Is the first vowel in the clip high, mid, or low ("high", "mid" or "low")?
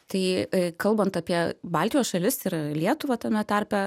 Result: low